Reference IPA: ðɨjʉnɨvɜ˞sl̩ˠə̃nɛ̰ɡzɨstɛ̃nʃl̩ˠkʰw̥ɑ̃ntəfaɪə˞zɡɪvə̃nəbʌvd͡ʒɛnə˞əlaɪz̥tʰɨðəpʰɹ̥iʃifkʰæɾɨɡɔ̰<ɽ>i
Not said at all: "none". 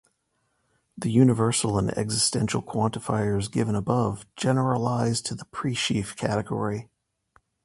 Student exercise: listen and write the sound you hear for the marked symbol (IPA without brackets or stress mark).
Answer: ɹ